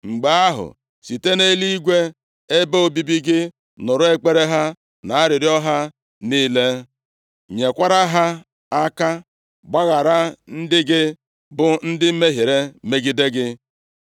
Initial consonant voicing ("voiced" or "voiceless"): voiced